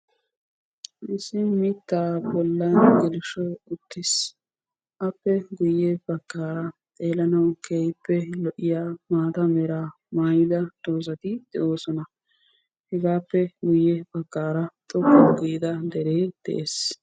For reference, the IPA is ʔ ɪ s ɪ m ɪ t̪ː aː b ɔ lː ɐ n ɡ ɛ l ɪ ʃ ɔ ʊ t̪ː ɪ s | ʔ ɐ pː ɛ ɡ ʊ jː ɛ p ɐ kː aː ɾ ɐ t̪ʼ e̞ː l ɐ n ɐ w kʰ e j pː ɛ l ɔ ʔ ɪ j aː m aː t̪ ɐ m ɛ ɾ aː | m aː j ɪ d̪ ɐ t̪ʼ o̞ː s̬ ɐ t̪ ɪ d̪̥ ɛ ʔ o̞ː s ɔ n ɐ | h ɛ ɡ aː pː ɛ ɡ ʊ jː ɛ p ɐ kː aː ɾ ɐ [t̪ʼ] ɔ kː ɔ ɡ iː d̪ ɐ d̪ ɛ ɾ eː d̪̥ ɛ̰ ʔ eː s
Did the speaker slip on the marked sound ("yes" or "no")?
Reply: no